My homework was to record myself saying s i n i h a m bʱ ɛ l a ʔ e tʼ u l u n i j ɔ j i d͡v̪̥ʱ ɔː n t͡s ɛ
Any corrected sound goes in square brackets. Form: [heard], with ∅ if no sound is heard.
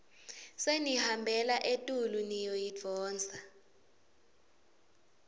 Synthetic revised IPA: s [e] n i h a m bʱ ɛ l a ʔ e tʼ u l u n i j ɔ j i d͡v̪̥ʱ ɔː n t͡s [a]

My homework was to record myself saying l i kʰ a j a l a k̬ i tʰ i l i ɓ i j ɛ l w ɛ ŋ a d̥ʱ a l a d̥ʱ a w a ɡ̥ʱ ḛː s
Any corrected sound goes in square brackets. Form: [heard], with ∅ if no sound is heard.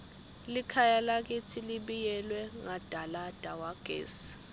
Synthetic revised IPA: l i kʰ a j a l a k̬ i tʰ i l i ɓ i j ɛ l w ɛ ŋ a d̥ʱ a l a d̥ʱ a w a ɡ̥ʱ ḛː s

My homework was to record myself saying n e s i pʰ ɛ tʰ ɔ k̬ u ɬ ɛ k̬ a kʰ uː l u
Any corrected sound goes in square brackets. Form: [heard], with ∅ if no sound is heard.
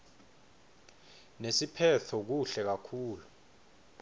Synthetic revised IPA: n e s i pʰ ɛ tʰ ɔ k̬ u ɬ ɛ k̬ a kʰ uː l u

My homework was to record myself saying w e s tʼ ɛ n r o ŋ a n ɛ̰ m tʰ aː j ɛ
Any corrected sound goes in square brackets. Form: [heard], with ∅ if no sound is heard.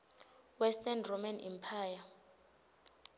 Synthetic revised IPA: w [ɛ] s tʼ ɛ n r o [m] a n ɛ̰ m [pʰ] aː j [a]

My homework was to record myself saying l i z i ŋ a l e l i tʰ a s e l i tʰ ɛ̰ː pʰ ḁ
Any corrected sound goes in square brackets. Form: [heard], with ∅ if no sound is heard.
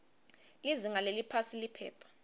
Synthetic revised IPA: l i z i ŋ a l e l i [pʰ] a s [i] l i [pʰ] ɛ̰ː pʰ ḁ

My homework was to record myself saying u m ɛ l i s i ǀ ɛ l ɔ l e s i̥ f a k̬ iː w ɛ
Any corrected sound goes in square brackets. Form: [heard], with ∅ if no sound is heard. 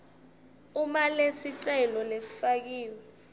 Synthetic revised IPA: u m [a] l [e] s i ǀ ɛ l ɔ l e s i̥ f a k̬ iː w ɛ

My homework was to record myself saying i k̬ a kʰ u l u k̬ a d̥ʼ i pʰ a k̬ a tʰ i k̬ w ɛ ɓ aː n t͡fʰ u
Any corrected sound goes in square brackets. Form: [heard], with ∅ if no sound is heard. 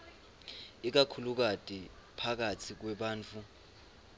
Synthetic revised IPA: i k̬ a kʰ u l u k̬ a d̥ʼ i pʰ a k̬ a tʰ i k̬ w ɛ ɓ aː n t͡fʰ u

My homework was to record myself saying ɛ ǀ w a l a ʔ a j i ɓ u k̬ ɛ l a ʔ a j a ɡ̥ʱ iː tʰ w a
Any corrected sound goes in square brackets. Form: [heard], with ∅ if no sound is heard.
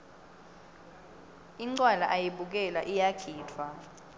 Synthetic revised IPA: [i] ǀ w a l a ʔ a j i ɓ u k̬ ɛ l a ʔ [i] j a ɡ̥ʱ iː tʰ w a

